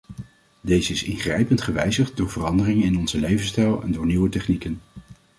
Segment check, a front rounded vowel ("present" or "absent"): absent